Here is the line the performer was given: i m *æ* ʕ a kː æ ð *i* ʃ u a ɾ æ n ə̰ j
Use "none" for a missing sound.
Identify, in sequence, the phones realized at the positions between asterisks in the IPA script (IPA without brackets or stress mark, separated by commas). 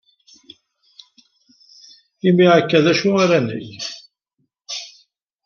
i, æ